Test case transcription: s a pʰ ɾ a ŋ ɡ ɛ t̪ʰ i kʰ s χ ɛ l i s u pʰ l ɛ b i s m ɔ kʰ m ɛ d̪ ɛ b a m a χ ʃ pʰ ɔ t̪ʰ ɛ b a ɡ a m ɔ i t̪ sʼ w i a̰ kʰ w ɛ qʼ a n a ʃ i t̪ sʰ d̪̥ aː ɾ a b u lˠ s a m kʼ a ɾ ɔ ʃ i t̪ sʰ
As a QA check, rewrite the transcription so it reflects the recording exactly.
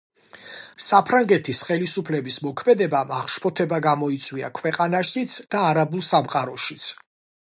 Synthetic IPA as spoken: s a pʰ ɾ a ŋ ɡ ɛ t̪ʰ i s χ ɛ l i s u pʰ l ɛ b i s m ɔ kʰ m ɛ d̪ ɛ b a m a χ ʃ pʰ ɔ t̪ʰ ɛ b a ɡ a m ɔ i t̪ sʼ w i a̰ kʰ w ɛ qʼ a n a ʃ i t̪ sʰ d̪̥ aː ɾ a b u lˠ s a m qʼ a ɾ ɔ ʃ i t̪ sʰ

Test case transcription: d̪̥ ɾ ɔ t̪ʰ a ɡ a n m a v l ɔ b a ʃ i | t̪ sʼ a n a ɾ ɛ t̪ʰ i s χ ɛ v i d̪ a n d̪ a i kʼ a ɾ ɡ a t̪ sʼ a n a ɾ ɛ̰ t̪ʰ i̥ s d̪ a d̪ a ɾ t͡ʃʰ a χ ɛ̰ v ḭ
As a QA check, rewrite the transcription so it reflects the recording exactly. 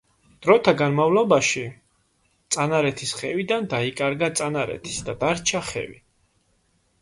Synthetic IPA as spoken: d̪̥ ɾ ɔ t̪ʰ a ɡ a n m a v l ɔ b a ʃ i | t̪ sʼ a n a ɾ ɛ t̪ʰ i s χ ɛ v i d̪ a n d̪ a i kʼ a ɾ ɡ a t̪ sʼ a n a ɾ ɛ̰ t̪ʰ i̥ s d̪ a d̪ a ɾ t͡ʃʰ a χ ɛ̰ v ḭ

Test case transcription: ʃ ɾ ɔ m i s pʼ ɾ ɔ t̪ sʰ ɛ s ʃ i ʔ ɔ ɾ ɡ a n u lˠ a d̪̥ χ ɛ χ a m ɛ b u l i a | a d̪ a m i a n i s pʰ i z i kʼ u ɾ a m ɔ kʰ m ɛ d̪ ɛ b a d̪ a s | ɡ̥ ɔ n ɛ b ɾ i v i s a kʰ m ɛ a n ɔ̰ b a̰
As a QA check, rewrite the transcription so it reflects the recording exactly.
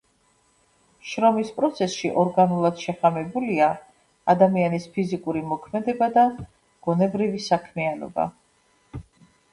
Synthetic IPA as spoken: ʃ ɾ ɔ m i s pʼ ɾ ɔ t̪ sʰ ɛ s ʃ i ʔ ɔ ɾ ɡ a n u lˠ a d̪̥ ʃ ɛ χ a m ɛ b u l i a | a d̪ a m i a n i s pʰ i z i kʼ u ɾ i m ɔ kʰ m ɛ d̪ ɛ b a d̪ a | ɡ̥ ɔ n ɛ b ɾ i v i s a kʰ m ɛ a n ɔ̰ b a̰

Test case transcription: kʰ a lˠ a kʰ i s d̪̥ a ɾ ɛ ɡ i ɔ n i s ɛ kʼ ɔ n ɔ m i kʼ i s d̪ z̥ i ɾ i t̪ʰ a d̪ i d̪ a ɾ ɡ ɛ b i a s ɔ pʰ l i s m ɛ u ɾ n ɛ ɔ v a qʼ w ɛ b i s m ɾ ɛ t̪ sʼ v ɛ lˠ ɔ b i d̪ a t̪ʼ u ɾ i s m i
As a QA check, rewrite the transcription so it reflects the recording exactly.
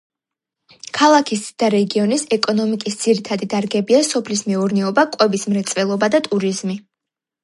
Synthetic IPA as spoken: kʰ a lˠ a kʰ i s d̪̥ a ɾ ɛ ɡ i ɔ n i s ɛ kʼ ɔ n ɔ m i kʼ i s d̪ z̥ i ɾ i t̪ʰ a d̪ i d̪ a ɾ ɡ ɛ b i a s ɔ pʰ l i s m ɛ u ɾ n ɛ ɔ b a kʼ w ɛ b i s m ɾ ɛ t̪ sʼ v ɛ lˠ ɔ b a d̪ a t̪ʼ u ɾ i z m i

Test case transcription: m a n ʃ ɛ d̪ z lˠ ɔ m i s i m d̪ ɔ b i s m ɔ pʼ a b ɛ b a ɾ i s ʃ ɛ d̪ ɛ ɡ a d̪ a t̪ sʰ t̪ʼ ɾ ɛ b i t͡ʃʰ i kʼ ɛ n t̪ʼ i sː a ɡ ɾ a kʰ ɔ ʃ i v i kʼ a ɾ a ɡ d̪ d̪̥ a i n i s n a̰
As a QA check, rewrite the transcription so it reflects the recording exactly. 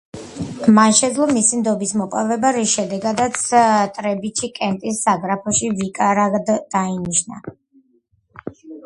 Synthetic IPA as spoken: m a n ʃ ɛ d̪ z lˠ ɔ m i s i m d̪ ɔ b i s m ɔ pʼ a v ɛ b a ɾ i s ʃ ɛ d̪ ɛ ɡ a d̪ a t̪ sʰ t̪ʼ ɾ ɛ b i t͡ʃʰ i kʼ ɛ n t̪ʼ i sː a ɡ ɾ a pʰ ɔ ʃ i v i kʼ a ɾ a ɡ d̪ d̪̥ a i n i ʃ n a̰

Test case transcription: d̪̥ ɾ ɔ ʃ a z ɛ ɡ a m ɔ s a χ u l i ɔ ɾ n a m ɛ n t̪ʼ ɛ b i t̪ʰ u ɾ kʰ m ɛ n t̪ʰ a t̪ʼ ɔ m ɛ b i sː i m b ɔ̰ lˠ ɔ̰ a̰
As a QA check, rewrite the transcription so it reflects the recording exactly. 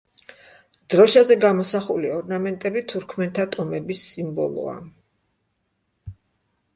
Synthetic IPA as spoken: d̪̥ ɾ ɔ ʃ a z ɛ ɡ a m ɔ s a χ u l i ɔ ɾ n a m ɛ n t̪ʼ ɛ b i t̪ʰ u ɾ kʰ m ɛ n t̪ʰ a t̪ʼ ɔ m ɛ b i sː i m b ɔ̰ lˠ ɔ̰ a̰

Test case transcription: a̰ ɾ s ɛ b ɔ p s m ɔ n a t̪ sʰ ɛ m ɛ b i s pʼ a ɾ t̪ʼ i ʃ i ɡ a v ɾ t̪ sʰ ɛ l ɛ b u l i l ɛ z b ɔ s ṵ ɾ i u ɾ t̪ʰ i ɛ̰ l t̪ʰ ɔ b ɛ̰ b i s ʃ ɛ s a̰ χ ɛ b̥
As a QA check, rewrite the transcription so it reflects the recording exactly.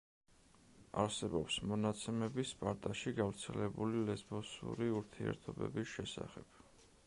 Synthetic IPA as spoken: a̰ ɾ s ɛ b ɔ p s m ɔ n a t̪ sʰ ɛ m ɛ b i s pʼ a ɾ t̪ʼ a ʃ i ɡ a v ɾ t̪ sʰ ɛ l ɛ b u l i l ɛ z b ɔ s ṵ ɾ i u ɾ t̪ʰ i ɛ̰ ɾ t̪ʰ ɔ b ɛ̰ b i s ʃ ɛ s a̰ χ ɛ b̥

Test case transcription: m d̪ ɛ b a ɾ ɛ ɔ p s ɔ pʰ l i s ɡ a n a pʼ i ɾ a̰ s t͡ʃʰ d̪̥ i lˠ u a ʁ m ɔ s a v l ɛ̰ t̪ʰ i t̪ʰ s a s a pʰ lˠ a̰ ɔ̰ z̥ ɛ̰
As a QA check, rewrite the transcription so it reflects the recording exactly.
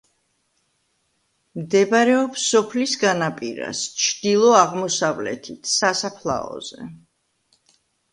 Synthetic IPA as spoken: m d̪ ɛ b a ɾ ɛ ɔ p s ɔ pʰ l i s ɡ a n a pʼ i ɾ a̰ s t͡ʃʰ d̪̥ i lˠ ɔ a ʁ m ɔ s a v l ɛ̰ t̪ʰ i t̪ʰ s a s a pʰ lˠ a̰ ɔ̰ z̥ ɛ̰

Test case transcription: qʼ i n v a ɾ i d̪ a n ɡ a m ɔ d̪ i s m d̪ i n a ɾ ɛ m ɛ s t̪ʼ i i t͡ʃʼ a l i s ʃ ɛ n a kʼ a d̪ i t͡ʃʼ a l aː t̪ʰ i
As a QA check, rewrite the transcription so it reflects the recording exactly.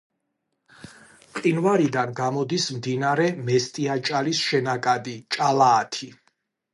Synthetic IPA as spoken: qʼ i n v a ɾ i d̪ a n ɡ a m ɔ d̪ i s m d̪ i n a ɾ ɛ m ɛ s t̪ʼ i a t͡ʃʼ a l i s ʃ ɛ n a kʼ a d̪ i t͡ʃʼ a l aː t̪ʰ i

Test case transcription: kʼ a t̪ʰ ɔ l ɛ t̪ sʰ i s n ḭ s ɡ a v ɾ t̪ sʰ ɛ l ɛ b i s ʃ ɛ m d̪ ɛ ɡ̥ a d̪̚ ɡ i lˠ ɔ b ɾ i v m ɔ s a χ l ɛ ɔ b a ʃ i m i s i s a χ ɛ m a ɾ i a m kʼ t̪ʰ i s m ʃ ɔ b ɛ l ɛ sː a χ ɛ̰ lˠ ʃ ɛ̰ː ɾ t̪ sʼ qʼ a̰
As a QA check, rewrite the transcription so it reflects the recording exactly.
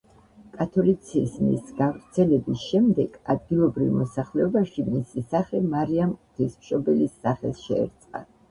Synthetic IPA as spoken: kʼ a t̪ʰ ɔ l i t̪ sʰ i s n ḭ s ɡ a v ɾ t̪ sʰ ɛ l ɛ b i s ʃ ɛ m d̪ ɛ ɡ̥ a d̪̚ ɡ i lˠ ɔ b ɾ i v m ɔ s a χ l ɛ ɔ b a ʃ i m i s i s a χ ɛ m a ɾ i a m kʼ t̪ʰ i s m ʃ ɔ b ɛ l i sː a χ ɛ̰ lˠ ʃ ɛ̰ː ɾ t̪ sʼ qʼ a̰

